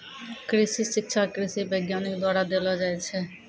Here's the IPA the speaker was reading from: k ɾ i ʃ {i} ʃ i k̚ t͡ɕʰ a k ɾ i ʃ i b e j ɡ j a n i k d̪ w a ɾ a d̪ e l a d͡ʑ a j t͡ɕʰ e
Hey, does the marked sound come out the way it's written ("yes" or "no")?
yes